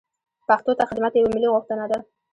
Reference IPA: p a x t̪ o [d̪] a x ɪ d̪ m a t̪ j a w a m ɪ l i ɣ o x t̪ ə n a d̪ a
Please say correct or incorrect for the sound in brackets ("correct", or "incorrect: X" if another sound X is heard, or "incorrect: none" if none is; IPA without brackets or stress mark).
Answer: incorrect: t̪